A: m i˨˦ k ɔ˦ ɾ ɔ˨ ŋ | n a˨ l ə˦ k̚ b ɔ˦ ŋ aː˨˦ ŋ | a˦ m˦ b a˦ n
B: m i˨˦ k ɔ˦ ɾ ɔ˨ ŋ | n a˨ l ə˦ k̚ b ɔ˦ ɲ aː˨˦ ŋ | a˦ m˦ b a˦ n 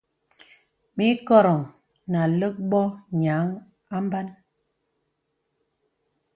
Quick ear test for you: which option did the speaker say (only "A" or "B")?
B